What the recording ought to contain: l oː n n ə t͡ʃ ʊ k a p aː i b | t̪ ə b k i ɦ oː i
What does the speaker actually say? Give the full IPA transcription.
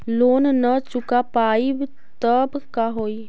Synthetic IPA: l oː n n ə t͡ʃ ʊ k a p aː i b | t̪ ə b k a ɦ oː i